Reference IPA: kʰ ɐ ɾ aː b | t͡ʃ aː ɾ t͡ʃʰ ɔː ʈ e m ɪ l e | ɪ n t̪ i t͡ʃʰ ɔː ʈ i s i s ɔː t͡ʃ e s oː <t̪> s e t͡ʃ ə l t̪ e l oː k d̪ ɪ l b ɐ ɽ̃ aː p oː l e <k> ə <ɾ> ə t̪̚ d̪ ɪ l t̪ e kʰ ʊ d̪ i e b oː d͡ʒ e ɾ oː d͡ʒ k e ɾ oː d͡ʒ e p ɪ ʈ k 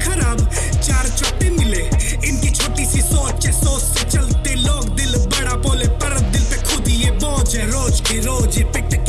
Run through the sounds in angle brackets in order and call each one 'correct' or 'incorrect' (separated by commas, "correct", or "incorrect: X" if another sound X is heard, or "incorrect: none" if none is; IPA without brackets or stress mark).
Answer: incorrect: none, incorrect: p, correct